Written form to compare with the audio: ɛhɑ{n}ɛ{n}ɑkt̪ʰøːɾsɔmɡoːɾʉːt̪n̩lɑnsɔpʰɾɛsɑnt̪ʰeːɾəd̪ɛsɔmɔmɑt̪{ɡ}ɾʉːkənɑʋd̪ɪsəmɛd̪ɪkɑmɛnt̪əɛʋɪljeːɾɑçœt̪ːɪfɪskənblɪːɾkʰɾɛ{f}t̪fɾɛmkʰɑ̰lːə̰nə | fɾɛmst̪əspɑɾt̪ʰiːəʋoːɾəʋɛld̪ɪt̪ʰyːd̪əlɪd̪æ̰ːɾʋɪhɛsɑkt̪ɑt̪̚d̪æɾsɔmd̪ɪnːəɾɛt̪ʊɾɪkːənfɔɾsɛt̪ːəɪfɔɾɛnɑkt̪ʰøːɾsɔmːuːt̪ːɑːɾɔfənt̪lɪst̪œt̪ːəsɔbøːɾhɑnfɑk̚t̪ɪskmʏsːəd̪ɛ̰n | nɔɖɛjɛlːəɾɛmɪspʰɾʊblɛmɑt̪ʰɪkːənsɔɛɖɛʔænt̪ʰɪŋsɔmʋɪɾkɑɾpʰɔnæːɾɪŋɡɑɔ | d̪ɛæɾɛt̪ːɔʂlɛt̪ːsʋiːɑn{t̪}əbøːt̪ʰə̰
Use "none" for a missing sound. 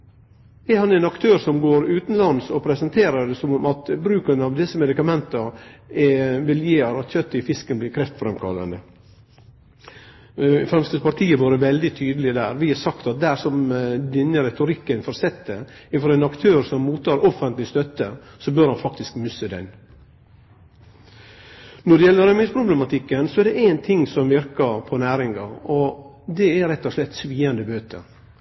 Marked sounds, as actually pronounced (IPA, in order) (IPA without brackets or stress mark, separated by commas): n, n, b, f, d̪